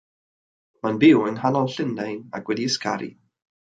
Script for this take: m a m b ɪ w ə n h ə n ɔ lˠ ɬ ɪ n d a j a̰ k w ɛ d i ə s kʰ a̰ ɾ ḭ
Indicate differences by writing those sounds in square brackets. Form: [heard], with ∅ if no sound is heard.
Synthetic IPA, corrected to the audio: m a [n] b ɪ w ə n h [a] n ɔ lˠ ɬ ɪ n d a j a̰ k w ɛ d i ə s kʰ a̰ ɾ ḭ